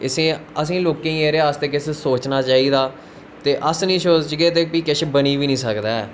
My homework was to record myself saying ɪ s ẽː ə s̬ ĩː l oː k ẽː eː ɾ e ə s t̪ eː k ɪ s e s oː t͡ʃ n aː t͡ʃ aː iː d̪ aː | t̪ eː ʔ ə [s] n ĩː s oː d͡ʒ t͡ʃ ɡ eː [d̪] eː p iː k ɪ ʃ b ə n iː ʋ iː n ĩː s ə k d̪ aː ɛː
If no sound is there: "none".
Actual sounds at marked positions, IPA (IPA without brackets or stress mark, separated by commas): s, t̪